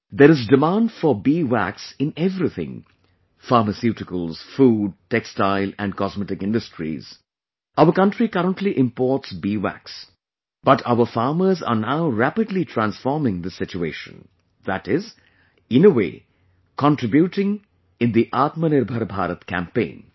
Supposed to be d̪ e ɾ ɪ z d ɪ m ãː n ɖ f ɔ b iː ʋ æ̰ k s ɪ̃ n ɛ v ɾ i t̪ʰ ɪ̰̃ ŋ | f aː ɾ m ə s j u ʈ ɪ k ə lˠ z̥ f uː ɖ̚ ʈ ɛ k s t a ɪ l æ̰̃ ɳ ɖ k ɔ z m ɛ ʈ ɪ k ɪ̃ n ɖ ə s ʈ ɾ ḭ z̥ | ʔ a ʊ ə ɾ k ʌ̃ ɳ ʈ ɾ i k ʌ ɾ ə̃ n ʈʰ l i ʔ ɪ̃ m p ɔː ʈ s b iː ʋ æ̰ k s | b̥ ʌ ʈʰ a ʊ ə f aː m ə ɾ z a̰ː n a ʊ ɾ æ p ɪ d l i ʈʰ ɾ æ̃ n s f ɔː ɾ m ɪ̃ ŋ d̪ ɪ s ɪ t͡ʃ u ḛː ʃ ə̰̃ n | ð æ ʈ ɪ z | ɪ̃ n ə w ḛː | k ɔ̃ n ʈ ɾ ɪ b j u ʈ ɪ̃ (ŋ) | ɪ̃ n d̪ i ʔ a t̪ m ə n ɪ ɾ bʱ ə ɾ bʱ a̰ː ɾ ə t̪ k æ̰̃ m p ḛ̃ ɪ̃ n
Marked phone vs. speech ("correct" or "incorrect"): correct